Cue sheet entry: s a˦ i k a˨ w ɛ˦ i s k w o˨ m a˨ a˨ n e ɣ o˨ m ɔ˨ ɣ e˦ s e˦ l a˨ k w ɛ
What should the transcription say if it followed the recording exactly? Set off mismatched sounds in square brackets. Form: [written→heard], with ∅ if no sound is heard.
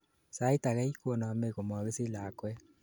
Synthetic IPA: s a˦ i [k→t] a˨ [w→ɣ] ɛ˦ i [s→∅] k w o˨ [m→n] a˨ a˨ [n→m] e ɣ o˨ m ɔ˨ ɣ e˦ s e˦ l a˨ k w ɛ